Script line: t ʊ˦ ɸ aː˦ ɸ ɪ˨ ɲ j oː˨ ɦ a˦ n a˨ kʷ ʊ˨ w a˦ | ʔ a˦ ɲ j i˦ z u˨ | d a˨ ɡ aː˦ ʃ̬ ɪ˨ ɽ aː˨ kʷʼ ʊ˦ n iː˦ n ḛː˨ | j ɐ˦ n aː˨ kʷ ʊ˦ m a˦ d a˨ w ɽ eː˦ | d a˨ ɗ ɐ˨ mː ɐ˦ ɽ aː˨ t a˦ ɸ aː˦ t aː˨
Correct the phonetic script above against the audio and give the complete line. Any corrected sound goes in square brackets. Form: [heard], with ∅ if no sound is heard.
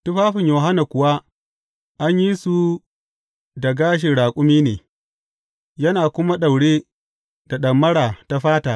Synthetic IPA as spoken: t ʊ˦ ɸ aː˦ ɸ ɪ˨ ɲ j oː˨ ɦ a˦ n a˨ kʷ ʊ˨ w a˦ | ʔ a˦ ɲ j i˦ [s] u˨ | d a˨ ɡ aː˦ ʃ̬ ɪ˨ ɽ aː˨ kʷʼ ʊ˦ [m] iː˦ n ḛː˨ | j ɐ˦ n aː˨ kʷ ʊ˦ m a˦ [ɗ] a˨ w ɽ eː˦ | d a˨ ɗ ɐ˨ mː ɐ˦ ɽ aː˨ t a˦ ɸ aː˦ t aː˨